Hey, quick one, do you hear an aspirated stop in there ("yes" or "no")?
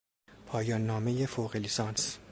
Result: yes